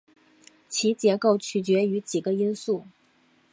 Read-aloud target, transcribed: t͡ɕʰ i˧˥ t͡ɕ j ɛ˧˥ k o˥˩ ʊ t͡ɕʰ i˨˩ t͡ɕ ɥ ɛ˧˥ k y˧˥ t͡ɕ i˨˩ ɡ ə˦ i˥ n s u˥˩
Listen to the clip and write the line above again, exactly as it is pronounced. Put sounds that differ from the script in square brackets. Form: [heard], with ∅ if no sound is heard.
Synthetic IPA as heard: t͡ɕʰ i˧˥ t͡ɕ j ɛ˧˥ k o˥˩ ʊ t͡ɕʰ [y˨˩] t͡ɕ ɥ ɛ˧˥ [∅] y˧˥ t͡ɕ i˨˩ ɡ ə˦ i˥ n s u˥˩